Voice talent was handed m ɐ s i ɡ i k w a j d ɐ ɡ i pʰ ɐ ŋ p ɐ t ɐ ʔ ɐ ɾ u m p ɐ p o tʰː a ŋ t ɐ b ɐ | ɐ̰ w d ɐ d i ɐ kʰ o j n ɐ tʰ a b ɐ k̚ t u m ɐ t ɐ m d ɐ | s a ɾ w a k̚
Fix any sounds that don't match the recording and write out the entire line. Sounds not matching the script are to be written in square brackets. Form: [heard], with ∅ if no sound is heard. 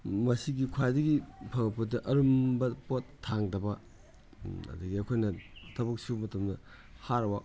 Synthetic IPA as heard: m ɐ s i ɡ i [kʰ] w a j d ɐ ɡ i pʰ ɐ ŋ p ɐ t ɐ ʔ ɐ ɾ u m [b] ɐ p o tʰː a ŋ [d] ɐ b ɐ | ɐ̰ [∅] d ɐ [ɡ] i ɐ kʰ o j n ɐ tʰ [ɐ] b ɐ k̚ [s] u m ɐ t ɐ m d ɐ | [h] a ɾ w a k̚

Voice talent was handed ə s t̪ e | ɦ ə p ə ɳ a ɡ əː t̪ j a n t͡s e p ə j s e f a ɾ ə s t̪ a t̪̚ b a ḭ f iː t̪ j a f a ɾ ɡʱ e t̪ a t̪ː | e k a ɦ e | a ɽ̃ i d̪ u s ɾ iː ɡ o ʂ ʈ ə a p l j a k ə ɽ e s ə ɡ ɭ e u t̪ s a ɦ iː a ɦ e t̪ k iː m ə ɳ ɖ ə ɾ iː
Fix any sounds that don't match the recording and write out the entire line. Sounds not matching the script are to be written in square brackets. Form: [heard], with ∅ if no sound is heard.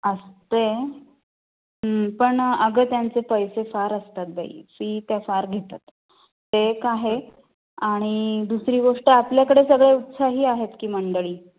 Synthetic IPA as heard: ə s t̪ e | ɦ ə p ə ɳ [ə] ɡ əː t̪ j a n t͡s e p ə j s e f a ɾ ə s t̪ a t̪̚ b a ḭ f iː t̪ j a f a ɾ ɡʱ e t̪ a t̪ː | e k a ɦ e | a ɽ̃ i d̪ u s ɾ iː ɡ o ʂ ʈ ə a p l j a k ə ɽ e s ə ɡ ɭ e u t̪ s a ɦ iː a ɦ e t̪ k iː m ə ɳ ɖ ə [ɭ] iː

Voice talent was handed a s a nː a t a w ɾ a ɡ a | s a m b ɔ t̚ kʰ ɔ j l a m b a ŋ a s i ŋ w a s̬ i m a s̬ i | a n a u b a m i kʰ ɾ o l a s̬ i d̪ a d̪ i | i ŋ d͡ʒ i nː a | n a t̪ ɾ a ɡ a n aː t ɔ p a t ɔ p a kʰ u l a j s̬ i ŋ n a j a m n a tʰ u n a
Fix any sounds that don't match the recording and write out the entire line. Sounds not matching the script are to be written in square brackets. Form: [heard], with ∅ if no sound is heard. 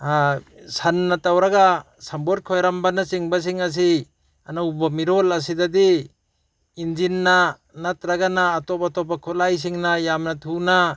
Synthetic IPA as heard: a s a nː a t a w ɾ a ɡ a | s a m b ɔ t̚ kʰ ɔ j [ɾ] a m b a [n] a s i ŋ [b] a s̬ i [ŋ] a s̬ i | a n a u b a m i [∅] ɾ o l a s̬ i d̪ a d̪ i | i [n] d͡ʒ i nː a | n a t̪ ɾ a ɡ a n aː t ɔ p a t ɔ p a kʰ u l a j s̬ i ŋ n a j a m n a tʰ u n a

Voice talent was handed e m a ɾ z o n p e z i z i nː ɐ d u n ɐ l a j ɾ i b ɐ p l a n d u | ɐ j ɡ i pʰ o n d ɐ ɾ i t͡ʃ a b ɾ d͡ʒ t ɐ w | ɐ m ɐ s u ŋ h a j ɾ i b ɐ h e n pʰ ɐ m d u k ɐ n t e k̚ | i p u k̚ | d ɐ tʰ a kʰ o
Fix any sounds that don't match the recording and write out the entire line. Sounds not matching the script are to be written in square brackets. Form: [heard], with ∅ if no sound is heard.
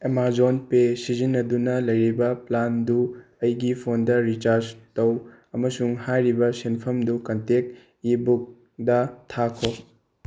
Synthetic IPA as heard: e m a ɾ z o n p e [s] i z i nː ɐ d u n ɐ l [ɐ] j ɾ i b ɐ p l a n d u | ɐ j ɡ i pʰ o n d ɐ ɾ i t͡ʃ a [∅] ɾ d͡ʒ t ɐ w | ɐ m ɐ s u ŋ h a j ɾ i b ɐ [s] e n pʰ ɐ m d u k ɐ n t e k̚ | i [b] u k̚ | d ɐ tʰ a kʰ o

